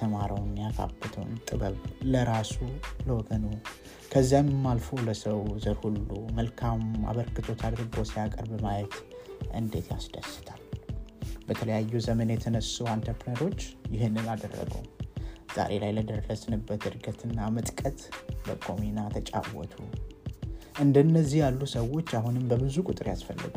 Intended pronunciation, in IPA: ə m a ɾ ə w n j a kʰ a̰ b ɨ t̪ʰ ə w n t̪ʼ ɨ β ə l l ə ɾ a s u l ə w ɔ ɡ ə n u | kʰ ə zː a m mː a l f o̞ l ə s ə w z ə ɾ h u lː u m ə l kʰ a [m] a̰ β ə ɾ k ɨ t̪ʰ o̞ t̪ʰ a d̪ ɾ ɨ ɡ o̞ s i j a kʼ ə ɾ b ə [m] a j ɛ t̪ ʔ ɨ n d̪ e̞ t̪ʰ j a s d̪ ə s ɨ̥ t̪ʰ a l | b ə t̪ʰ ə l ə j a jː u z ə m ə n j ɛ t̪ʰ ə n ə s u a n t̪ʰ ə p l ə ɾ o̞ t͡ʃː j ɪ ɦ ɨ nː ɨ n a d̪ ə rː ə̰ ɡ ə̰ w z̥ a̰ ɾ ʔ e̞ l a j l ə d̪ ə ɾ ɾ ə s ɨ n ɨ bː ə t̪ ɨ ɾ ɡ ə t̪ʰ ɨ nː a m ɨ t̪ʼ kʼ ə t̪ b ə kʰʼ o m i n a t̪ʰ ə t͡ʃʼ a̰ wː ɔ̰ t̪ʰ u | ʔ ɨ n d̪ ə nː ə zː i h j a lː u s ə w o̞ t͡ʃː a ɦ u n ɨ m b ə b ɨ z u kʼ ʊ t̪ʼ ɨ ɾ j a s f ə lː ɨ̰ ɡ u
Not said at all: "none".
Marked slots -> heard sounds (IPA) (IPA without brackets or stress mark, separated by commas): m, m